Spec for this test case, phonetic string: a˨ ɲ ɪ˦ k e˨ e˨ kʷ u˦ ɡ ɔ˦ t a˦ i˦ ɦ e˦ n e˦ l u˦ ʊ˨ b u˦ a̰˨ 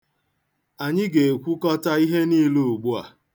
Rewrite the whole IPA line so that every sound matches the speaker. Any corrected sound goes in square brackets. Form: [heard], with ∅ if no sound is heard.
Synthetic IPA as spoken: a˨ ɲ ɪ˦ [ɡ] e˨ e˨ kʷ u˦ [k] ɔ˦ t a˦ i˦ ɦ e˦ n [i˦] l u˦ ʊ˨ [ɡ͡b] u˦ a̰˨